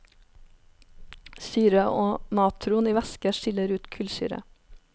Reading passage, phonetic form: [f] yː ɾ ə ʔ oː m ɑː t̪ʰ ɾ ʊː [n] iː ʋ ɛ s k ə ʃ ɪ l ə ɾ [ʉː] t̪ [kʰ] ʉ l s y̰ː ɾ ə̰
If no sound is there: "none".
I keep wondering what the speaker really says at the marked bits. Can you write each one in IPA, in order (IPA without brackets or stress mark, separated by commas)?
s, n, ʉː, kʰ